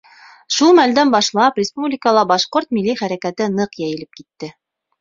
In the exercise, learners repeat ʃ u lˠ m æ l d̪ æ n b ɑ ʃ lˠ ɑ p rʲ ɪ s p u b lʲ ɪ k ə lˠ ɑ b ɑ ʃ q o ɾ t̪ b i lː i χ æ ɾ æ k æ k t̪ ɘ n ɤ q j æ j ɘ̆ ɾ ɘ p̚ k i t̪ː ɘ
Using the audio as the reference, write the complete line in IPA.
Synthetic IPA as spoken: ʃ u lˠ m æ l d̪ æ n b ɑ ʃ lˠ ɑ p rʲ ɪ s p u b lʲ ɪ k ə lˠ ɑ b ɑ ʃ q o ɾ t̪ m i lː i χ æ ɾ æ k æ t̪ ɘ n ɤ q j æ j ɘ̆ l ɘ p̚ k i t̪ː ɘ